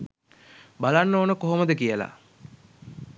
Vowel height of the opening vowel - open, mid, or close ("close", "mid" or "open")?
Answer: open